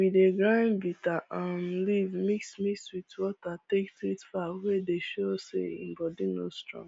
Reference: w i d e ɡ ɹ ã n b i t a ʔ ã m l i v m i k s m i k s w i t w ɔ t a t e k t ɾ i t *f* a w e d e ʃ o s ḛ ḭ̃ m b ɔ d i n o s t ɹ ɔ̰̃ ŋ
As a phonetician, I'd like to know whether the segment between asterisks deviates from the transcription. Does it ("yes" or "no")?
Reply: no